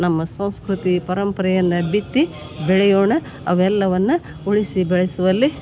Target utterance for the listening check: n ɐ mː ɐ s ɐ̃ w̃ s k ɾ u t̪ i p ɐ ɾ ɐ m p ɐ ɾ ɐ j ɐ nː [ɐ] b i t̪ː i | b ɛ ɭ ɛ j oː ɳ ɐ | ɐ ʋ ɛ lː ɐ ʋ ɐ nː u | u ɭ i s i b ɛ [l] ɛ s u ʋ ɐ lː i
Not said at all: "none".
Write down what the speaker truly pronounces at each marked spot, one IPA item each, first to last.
ɐ, ɭ

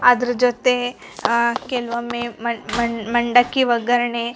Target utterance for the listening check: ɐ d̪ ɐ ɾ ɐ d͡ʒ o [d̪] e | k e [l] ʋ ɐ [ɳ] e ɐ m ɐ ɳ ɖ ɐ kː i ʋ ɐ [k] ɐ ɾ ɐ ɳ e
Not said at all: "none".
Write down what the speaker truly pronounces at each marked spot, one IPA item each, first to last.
t̪, l, m, ɡ

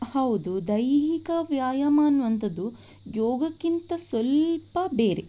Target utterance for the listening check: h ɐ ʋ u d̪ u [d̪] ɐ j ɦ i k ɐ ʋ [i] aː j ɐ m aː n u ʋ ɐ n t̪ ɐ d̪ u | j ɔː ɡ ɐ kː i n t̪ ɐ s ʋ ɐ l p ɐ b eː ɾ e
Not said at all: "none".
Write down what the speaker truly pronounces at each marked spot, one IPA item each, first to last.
d̪, j

